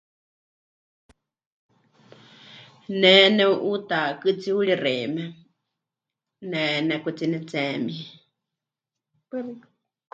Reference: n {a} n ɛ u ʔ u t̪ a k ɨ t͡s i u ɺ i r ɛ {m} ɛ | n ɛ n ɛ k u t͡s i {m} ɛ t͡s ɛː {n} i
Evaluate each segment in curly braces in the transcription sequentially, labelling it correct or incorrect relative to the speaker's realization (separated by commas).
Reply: incorrect, correct, incorrect, incorrect